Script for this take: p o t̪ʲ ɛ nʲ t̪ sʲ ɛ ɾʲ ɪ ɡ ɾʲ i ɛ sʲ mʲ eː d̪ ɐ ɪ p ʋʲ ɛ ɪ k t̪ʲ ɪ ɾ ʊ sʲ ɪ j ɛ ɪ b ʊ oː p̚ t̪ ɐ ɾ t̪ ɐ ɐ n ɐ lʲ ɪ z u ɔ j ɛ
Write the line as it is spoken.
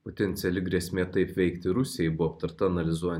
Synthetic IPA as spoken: p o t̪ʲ ɛ nʲ t̪ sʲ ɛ lʲ ɪ ɡ ɾʲ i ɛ sʲ mʲ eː t̪ ɐ ɪ p ʋʲ ɛ ɪ k t̪ʲ ɪ ɾ ʊ sʲ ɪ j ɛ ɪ b ʊ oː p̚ t̪ ɐ ɾ t̪ ɐ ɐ n ɐ lʲ ɪ z u ɔ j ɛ